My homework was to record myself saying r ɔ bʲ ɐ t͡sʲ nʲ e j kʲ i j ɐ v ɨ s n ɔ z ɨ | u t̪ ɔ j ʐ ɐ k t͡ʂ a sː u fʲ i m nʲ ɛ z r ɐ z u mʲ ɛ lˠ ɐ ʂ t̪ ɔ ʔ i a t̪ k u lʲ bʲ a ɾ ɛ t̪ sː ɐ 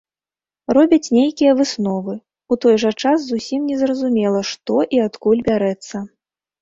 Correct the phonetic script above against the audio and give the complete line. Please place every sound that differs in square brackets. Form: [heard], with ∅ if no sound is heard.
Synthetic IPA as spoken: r ɔ bʲ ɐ t͡sʲ nʲ e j kʲ i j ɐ v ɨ s n ɔ [v] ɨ | u t̪ ɔ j ʐ ɐ [∅] t͡ʂ a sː u [sʲ] i m nʲ ɛ z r ɐ z u mʲ ɛ lˠ ɐ ʂ t̪ ɔ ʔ i a t̪ k u lʲ bʲ a ɾ ɛ t̪ sː ɐ